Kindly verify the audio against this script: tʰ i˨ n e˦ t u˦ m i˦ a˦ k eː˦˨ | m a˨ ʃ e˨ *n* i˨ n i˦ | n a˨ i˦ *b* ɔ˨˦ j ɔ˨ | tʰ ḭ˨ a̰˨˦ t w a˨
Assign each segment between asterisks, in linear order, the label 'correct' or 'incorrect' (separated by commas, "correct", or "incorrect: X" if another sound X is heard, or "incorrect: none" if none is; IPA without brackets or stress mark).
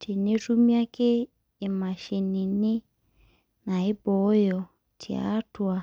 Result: correct, correct